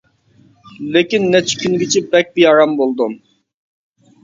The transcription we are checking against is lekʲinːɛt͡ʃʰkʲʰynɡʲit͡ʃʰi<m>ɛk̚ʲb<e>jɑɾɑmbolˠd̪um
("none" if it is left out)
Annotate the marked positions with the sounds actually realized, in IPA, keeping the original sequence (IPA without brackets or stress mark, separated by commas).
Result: b, i